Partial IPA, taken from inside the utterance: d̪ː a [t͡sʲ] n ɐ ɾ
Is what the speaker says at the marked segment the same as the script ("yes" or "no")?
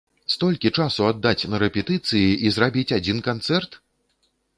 yes